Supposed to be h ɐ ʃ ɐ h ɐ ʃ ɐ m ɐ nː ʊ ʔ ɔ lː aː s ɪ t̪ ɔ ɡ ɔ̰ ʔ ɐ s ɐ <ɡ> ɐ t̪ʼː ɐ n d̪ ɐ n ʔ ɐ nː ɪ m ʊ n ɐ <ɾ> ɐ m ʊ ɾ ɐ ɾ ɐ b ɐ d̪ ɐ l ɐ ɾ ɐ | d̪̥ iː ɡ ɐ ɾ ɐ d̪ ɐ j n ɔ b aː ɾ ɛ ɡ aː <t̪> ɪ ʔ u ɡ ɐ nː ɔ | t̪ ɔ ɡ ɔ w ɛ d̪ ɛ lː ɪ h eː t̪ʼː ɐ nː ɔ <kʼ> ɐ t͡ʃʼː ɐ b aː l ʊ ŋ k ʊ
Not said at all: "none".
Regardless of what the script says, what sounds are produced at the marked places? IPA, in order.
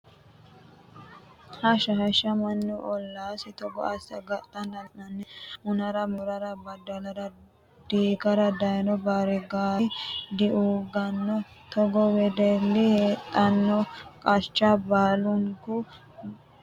ɡ, ɾ, d̪, kʼ

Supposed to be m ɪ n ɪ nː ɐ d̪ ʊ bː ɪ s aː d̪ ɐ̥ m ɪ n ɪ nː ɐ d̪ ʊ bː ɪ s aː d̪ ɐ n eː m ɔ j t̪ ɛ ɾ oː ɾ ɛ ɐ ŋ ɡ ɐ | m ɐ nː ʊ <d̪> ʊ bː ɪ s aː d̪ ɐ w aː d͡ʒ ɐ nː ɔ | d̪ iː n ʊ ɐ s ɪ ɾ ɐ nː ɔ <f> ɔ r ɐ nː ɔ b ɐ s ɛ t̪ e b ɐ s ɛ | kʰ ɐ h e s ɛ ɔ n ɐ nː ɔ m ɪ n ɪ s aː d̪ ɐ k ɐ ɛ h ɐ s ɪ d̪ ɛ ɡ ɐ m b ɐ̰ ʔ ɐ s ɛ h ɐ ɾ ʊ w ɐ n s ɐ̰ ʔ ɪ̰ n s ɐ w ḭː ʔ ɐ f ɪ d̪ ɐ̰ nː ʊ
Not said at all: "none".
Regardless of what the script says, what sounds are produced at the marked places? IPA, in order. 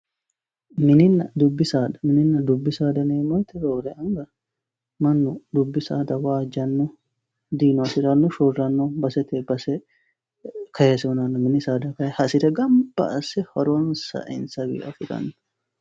d̪, ʃ

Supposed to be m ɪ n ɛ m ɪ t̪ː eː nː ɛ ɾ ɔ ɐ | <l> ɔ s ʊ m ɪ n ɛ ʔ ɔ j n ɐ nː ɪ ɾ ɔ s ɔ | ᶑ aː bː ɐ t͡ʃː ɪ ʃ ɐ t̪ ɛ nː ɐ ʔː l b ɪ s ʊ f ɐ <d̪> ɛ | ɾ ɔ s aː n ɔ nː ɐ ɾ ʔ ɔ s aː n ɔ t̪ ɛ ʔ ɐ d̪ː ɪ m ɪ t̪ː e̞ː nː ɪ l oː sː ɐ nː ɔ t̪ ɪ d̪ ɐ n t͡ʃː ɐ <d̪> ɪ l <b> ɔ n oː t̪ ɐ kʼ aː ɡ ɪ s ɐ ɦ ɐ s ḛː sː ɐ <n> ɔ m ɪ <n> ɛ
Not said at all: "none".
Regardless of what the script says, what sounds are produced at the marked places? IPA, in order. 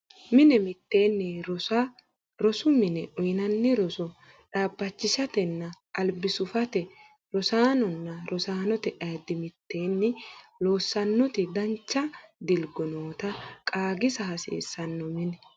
ɾ, t̪, d̪, ɡ, nː, n

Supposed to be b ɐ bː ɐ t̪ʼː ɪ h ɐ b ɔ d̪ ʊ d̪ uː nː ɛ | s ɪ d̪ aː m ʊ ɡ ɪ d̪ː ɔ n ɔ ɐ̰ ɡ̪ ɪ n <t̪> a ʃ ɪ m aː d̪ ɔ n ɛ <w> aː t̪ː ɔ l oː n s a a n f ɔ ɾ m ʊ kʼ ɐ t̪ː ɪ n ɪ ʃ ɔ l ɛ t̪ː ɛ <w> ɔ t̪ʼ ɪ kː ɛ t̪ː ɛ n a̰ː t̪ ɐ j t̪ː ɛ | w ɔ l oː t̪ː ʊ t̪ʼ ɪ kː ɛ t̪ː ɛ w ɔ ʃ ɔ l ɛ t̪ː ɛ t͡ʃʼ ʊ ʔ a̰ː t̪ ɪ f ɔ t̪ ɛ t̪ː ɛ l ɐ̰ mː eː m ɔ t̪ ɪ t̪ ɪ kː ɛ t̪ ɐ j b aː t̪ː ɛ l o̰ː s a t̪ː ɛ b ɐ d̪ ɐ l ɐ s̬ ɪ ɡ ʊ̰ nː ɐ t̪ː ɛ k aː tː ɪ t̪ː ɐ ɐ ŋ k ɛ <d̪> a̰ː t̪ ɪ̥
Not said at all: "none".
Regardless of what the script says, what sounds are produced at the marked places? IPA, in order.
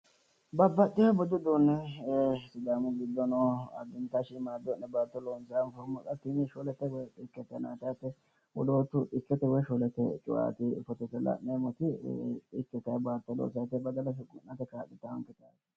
t̪, b, w, t̪

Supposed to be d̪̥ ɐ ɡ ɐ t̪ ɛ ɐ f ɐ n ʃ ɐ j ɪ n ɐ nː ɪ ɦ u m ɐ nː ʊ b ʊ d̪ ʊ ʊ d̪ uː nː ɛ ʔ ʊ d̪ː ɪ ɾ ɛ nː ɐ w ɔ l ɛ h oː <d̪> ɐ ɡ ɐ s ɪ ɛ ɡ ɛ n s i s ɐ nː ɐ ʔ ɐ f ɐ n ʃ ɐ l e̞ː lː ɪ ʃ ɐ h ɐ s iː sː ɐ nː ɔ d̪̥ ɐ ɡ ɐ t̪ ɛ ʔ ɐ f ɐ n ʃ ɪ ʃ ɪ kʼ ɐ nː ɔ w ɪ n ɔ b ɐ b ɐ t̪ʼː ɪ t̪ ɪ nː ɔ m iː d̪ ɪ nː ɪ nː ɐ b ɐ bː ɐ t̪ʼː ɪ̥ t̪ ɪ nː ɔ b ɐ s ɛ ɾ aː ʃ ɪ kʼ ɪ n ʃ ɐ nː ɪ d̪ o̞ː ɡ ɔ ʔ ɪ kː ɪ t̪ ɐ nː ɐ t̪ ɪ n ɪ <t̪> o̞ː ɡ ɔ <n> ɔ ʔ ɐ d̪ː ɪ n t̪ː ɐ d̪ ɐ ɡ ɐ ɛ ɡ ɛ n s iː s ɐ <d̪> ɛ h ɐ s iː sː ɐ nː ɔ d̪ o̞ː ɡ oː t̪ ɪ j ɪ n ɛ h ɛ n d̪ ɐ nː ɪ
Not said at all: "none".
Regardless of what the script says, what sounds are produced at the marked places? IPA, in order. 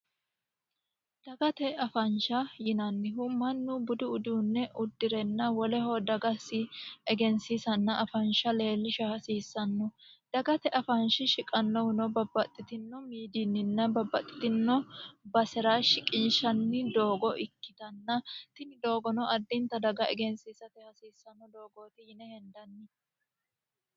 d̪, d̪, n, t̪

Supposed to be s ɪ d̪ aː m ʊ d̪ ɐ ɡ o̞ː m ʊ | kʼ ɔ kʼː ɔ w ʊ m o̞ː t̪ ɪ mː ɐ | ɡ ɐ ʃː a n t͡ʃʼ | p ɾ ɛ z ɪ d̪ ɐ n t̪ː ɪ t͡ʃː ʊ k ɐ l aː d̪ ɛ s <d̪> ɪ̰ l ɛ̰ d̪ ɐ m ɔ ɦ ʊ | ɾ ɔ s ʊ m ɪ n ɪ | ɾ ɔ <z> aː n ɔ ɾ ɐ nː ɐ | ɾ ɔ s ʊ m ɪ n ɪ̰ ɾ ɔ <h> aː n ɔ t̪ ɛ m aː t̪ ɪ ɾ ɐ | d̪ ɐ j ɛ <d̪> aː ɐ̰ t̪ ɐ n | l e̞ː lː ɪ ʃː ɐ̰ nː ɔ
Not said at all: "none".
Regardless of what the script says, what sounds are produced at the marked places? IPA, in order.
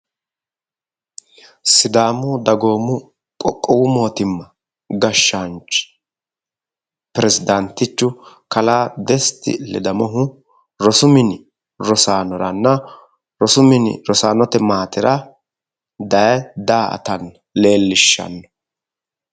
t̪, s, s, d̪

